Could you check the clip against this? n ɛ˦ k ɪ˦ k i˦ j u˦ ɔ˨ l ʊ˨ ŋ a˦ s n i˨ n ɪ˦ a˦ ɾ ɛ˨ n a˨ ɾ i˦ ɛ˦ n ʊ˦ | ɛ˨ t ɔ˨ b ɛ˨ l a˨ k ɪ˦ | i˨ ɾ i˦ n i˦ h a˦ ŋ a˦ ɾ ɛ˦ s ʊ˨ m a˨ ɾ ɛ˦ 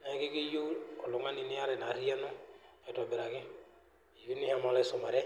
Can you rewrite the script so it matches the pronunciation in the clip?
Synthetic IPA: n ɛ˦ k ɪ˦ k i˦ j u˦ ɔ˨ l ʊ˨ ŋ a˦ n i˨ n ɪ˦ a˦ ɾ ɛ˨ n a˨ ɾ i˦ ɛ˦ n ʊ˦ | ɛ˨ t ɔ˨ b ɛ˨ ɾ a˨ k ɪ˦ | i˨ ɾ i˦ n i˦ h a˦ m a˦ l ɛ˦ s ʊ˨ m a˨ ɾ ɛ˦

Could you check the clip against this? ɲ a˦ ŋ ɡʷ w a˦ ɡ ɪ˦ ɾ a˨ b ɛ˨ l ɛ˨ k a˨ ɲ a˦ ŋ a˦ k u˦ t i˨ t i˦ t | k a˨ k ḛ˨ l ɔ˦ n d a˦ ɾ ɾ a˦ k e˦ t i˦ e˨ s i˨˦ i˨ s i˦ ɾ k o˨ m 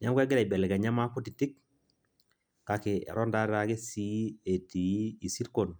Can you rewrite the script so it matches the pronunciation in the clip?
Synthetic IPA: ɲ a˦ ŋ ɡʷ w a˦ ɡ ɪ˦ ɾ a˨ b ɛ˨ l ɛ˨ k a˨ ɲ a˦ m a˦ k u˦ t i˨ t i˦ k | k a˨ k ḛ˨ ɾ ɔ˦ n d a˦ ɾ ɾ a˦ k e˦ s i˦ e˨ t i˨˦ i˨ s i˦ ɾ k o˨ n

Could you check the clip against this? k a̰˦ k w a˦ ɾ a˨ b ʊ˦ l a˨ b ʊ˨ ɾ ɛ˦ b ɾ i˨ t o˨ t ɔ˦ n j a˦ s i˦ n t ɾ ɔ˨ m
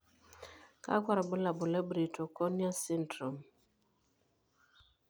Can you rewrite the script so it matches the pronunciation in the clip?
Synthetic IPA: k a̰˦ k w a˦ ɾ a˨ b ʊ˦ l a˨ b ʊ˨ l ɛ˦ b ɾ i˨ t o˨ k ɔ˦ n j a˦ s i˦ n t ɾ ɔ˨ m

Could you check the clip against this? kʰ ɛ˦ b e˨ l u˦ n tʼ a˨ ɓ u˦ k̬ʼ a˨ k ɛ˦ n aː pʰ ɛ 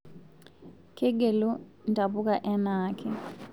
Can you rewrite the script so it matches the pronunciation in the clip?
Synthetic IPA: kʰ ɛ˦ ɡ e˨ l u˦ n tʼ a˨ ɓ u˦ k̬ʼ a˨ ʔ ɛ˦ n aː kʰ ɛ

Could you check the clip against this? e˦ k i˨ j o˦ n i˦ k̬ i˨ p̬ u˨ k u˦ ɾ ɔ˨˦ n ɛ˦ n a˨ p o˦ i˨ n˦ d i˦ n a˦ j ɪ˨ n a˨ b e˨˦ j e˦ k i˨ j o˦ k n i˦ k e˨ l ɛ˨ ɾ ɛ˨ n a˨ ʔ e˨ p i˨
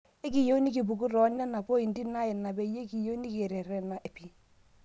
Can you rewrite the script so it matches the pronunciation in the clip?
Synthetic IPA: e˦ k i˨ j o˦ n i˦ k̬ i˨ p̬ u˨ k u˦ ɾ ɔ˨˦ n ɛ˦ n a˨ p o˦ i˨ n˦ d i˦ n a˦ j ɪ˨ n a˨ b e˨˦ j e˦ k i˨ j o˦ n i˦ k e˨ ɾ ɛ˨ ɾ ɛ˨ n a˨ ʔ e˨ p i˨

